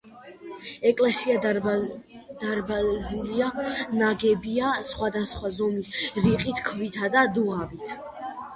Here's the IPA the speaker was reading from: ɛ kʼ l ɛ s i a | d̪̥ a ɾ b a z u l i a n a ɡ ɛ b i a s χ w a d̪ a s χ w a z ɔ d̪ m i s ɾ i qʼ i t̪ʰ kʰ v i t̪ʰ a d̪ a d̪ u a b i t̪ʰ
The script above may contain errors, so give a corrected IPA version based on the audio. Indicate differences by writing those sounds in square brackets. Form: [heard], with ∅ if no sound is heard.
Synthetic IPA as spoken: ɛ kʼ l ɛ s i a | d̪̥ a ɾ b a z u l i a n a ɡ ɛ b i a s χ w a d̪ a s χ w a z ɔ [∅] m i s ɾ i qʼ i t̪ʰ kʰ v i t̪ʰ a d̪ a d̪ u a b i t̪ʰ